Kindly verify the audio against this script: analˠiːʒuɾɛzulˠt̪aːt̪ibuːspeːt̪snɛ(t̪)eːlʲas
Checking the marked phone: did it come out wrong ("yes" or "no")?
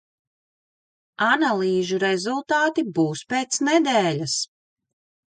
yes